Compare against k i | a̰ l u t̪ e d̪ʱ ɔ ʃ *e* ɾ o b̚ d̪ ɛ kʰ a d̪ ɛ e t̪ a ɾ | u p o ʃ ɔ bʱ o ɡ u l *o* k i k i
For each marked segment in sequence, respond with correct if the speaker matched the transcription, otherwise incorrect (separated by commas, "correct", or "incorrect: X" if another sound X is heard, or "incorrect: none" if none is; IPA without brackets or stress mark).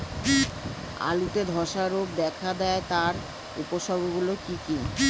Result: incorrect: a, correct